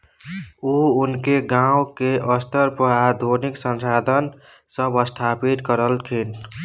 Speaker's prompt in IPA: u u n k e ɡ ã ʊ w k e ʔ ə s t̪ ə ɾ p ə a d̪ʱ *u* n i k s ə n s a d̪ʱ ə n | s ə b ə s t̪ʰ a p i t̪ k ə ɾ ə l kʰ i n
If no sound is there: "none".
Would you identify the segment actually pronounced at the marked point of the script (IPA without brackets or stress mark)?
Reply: o